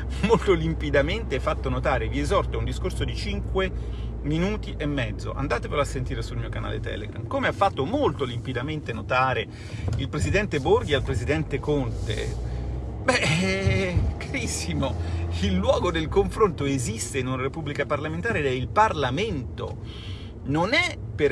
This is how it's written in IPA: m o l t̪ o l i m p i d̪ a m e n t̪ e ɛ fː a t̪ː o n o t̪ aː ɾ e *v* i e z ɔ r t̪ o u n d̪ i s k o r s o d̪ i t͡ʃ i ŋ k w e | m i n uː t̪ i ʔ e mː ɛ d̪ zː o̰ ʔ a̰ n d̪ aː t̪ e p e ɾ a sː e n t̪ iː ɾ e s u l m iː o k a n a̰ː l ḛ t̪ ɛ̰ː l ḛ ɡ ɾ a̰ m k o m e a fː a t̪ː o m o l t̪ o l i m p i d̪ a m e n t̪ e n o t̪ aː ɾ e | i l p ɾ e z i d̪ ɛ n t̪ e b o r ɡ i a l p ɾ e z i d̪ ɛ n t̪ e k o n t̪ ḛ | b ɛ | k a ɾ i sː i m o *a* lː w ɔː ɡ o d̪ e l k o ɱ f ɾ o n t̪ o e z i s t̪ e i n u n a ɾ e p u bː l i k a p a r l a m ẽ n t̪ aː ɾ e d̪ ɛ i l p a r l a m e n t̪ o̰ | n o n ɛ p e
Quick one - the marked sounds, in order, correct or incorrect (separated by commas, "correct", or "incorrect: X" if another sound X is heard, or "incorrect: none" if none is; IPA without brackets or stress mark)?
correct, incorrect: i